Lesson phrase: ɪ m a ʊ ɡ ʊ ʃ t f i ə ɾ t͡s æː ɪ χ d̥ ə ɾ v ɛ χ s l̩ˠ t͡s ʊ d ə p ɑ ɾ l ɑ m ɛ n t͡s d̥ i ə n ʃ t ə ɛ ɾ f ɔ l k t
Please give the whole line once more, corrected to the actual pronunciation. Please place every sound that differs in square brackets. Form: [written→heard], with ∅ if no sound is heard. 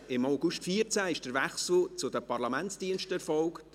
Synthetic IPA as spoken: ɪ m a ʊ ɡ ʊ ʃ t f i ə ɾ t͡s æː ɪ [χ→ʃ] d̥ ə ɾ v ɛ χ s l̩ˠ t͡s ʊ d ə p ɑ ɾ l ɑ m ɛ n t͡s d̥ i ə n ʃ t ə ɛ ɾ f ɔ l k t